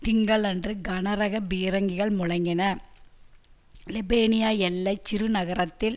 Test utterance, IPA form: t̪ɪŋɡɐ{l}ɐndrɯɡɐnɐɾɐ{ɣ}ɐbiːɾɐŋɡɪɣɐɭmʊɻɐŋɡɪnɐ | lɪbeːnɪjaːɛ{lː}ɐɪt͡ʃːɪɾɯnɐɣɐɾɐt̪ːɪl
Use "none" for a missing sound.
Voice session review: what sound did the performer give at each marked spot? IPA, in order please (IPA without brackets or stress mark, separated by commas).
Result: ɭ, ɣ, lː